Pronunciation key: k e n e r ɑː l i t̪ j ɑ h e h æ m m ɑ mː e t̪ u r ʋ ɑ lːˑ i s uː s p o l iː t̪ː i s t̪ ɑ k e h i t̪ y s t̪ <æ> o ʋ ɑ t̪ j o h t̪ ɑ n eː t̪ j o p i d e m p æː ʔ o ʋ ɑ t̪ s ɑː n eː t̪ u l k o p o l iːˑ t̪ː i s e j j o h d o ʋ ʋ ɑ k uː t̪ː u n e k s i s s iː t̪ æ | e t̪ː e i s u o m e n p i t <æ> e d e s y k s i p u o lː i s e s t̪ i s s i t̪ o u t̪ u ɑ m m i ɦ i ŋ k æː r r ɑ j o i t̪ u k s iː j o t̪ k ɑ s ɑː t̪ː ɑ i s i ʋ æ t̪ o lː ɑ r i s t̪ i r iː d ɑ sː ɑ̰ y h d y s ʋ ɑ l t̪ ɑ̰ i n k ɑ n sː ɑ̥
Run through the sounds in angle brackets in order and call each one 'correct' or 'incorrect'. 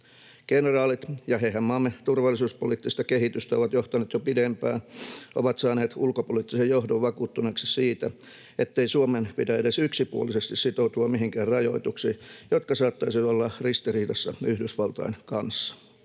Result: correct, correct

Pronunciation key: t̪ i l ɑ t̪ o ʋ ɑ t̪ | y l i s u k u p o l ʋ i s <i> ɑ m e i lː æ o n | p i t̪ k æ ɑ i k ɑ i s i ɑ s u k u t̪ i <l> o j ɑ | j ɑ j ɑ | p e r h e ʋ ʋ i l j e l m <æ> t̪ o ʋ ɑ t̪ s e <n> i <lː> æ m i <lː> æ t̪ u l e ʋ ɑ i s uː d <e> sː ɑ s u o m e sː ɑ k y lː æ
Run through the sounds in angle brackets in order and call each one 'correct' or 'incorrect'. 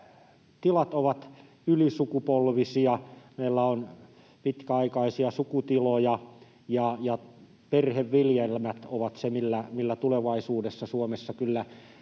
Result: correct, correct, correct, incorrect: m, correct, correct, correct

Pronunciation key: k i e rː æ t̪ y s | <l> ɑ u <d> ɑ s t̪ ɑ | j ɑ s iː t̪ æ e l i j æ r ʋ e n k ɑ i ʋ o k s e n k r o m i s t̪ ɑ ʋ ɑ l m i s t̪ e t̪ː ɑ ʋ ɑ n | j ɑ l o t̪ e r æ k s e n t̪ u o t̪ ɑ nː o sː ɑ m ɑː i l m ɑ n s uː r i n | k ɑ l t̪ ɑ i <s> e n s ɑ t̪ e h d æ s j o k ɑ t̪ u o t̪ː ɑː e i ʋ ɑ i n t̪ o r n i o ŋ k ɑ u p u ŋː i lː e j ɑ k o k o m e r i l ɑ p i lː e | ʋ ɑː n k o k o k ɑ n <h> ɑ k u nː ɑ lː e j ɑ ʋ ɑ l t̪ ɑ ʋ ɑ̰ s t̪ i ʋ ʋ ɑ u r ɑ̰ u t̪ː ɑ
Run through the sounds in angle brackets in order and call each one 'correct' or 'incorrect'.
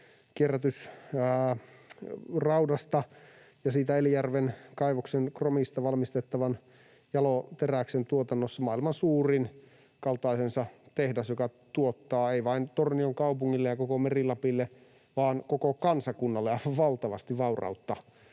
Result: incorrect: r, correct, correct, incorrect: s

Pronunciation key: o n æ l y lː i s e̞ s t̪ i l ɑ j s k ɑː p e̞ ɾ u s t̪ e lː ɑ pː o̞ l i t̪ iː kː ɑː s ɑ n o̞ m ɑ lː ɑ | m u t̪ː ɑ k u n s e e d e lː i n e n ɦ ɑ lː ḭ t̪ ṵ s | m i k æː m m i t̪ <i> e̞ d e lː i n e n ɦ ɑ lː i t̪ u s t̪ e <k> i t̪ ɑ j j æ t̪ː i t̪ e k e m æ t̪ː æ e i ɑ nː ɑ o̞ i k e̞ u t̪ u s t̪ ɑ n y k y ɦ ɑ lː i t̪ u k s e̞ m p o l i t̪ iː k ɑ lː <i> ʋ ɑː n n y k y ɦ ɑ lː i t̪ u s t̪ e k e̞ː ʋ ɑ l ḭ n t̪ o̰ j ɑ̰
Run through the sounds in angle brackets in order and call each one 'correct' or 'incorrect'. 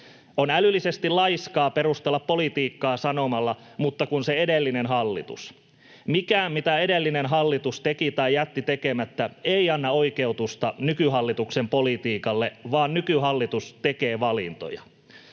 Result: incorrect: æ, correct, incorrect: e

